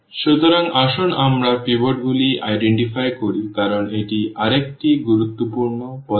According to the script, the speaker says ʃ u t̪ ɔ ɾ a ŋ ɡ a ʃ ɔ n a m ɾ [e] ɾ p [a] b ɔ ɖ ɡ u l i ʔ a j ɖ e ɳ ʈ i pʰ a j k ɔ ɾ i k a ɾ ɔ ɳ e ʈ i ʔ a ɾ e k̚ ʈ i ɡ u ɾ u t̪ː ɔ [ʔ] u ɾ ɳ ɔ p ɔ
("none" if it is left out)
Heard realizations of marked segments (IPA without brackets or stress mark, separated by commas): a, i, p